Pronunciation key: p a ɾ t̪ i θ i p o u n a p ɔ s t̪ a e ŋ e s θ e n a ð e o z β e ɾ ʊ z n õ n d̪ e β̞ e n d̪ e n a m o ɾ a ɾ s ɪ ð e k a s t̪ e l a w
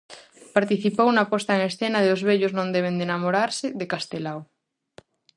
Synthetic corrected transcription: p a ɾ t̪ i θ i p o w n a p ɔ s t̪ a e ŋ e s θ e n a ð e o z β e ʎ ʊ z n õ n d̪ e β̞ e n d̪ e n a m o ɾ a ɾ s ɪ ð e k a s t̪ e l a w